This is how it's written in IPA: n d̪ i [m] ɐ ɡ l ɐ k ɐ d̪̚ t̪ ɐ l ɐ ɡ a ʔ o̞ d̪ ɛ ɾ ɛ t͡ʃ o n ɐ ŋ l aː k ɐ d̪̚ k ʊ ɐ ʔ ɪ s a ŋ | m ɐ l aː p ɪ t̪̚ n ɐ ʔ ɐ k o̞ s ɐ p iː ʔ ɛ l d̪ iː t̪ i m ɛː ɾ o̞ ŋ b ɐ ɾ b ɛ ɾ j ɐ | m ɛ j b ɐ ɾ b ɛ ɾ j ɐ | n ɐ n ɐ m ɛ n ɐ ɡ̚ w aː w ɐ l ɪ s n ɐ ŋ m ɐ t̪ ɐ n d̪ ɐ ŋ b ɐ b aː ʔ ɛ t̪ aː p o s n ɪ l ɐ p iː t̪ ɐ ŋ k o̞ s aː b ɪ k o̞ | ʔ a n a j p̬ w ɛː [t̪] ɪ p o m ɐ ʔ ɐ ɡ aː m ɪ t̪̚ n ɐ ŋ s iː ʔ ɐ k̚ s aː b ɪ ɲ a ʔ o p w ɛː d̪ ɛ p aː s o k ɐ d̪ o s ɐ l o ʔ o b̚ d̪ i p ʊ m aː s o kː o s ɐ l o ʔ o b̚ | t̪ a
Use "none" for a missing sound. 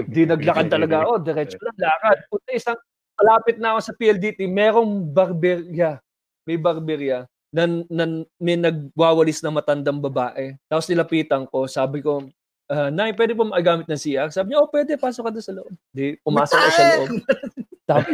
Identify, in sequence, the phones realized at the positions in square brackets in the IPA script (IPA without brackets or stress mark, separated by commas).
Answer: n, d̪